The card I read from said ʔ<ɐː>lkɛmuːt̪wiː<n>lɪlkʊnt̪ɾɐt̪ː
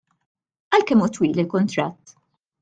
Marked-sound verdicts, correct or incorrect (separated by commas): incorrect, incorrect